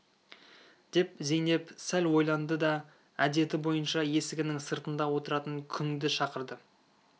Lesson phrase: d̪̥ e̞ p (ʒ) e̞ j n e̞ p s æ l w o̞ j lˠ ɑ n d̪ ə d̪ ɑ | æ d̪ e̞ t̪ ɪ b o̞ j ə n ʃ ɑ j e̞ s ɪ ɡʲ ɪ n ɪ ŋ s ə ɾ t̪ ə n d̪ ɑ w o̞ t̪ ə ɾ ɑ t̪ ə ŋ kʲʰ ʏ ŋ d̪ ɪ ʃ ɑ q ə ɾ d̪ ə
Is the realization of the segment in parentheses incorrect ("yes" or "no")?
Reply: yes